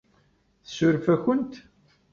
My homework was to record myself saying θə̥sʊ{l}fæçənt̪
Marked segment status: incorrect: ɾ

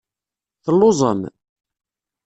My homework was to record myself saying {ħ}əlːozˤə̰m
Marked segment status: incorrect: θ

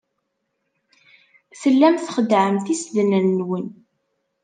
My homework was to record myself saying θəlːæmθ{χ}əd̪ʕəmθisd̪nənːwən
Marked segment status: correct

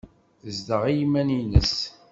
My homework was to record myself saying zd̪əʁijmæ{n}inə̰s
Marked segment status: correct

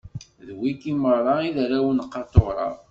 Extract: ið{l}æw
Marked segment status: incorrect: ɾ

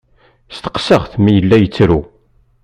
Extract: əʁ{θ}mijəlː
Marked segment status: correct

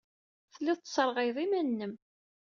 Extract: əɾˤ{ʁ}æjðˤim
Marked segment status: correct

